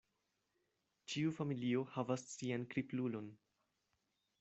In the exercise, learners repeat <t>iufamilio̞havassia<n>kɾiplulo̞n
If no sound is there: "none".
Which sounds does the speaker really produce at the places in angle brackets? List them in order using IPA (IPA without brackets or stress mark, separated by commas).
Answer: t͡ʃ, n